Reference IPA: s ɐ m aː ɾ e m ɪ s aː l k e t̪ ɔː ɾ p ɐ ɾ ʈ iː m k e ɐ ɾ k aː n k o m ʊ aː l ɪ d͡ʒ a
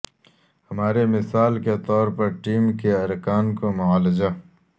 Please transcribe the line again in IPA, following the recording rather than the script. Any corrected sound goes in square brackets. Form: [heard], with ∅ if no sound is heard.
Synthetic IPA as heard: [h] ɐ m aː ɾ e m ɪ s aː l k e t̪ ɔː ɾ p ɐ ɾ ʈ iː m k e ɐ ɾ k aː n k o m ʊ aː l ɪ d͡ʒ a